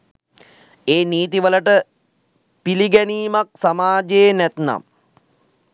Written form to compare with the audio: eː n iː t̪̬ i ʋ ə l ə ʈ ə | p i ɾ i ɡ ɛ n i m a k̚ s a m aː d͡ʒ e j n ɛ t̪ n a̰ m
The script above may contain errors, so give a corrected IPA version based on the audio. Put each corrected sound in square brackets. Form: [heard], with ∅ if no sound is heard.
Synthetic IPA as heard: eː n iː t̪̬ i ʋ ə l ə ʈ ə | p i [l] i ɡ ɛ n [iː] m a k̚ s a m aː d͡ʒ e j n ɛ t̪ n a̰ m